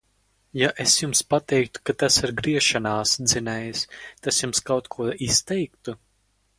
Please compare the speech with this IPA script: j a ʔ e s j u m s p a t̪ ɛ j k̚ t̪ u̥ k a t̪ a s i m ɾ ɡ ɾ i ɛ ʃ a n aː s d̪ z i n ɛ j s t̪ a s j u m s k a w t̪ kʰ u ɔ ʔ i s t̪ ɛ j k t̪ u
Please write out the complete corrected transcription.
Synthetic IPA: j a ʔ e s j u m s p a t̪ ɛ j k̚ t̪ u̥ k a t̪ a s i ɾ ɡ ɾ i ɛ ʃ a n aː s d̪ z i n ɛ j s t̪ a s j u m s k a w t̪ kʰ u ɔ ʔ i s t̪ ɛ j k t̪ u